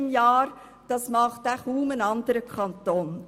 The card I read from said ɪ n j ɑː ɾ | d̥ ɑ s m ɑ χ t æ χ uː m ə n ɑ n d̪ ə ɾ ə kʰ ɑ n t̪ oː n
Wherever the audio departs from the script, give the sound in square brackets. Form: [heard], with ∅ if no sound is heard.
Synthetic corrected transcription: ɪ [m] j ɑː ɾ | d̥ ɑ s m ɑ χ t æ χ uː m ə n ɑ n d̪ ə ɾ ə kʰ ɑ n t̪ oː n

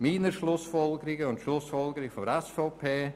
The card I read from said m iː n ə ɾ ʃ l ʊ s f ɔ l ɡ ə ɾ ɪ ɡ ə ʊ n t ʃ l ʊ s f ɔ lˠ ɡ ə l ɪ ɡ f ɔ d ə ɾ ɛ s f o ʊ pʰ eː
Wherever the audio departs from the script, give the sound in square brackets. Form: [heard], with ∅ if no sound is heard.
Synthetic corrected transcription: m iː n ə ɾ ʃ l ʊ s f ɔ l ɡ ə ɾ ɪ ɡ ə ʊ n t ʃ l ʊ s f ɔ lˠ ɡ ə [ɾ] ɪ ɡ f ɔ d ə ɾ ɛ s f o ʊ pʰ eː

